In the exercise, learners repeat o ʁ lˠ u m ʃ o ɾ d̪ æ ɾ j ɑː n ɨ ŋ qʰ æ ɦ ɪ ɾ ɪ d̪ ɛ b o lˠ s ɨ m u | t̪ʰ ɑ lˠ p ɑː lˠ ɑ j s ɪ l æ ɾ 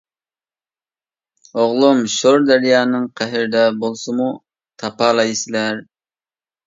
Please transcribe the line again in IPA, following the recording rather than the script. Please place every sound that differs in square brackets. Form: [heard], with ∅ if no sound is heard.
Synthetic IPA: o ʁ lˠ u m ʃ o ɾ d̪ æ ɾ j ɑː n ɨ ŋ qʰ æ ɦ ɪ ɾ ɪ d̪ ɛ b o lˠ s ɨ m u | t̪ʰ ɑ [∅] p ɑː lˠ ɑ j s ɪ l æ ɾ